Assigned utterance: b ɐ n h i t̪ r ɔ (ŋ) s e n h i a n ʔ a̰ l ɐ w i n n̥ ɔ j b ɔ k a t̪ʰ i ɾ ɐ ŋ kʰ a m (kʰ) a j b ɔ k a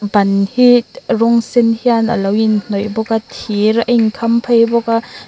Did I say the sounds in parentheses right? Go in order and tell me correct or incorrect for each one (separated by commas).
correct, incorrect